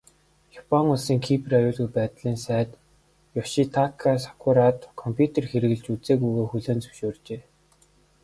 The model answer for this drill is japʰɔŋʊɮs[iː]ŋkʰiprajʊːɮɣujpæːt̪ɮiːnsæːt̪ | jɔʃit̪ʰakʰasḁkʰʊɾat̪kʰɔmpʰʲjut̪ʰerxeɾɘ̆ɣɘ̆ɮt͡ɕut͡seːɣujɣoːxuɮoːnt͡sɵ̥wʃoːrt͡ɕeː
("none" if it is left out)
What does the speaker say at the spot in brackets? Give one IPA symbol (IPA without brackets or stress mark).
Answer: iː